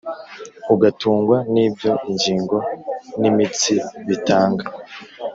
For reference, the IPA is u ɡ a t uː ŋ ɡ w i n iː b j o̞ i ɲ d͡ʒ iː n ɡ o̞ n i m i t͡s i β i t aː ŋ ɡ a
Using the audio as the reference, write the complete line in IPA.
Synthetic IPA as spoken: u ɡ a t uː ŋ ɡ w a n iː b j o̞ i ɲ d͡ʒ iː ŋ ɡ o̞ n i m i t͡s i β i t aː ŋ ɡ a